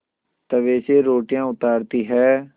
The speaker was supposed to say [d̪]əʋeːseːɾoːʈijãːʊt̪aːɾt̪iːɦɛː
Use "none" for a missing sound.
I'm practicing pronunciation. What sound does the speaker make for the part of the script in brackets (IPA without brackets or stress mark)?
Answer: t̪